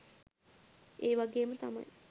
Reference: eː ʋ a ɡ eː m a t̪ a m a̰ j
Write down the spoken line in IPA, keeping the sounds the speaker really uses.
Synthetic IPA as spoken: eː ʋ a ɡ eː m ə t̪ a m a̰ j